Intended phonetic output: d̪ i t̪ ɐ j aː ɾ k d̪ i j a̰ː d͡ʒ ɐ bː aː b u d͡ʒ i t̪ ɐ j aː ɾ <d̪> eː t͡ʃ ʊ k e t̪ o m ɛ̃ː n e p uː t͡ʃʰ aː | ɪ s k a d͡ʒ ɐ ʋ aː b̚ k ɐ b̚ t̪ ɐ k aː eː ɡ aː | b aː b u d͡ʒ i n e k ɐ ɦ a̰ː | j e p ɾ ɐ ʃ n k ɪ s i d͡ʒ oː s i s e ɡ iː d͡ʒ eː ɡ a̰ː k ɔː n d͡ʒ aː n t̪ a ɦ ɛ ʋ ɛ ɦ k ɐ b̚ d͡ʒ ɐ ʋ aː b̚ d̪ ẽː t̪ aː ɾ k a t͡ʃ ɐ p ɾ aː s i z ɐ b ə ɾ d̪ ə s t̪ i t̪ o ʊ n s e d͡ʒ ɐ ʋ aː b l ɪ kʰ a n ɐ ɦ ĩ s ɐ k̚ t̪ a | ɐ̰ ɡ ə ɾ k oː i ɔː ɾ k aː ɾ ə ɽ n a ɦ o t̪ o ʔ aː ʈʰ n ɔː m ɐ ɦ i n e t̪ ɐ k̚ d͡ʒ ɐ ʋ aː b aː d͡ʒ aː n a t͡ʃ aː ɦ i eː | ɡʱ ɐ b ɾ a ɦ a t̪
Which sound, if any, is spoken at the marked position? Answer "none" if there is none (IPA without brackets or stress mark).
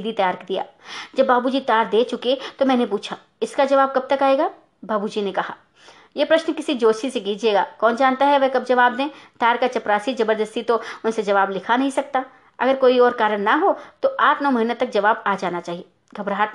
d̪